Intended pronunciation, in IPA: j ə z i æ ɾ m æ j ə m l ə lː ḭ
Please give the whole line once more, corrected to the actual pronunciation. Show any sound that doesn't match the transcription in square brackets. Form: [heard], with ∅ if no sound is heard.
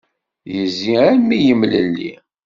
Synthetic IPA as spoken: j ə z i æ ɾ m [i] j ə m l ə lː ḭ